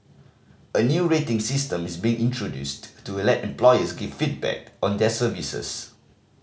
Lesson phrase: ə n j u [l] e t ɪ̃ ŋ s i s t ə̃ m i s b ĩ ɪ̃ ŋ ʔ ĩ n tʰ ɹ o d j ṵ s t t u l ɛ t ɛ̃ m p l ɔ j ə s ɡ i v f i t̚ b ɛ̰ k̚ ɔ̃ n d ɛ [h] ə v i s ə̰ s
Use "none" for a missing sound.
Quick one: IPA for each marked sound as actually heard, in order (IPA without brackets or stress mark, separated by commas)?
ɹ, s